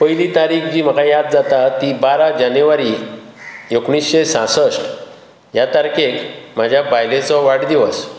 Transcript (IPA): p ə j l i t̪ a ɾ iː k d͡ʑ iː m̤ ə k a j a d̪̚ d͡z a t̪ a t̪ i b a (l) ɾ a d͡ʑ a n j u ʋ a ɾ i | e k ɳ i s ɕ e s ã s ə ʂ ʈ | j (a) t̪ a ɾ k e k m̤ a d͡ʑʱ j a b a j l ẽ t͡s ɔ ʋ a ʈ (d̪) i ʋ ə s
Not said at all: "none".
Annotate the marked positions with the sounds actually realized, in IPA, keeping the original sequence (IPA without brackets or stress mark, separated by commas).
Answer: none, a, d̪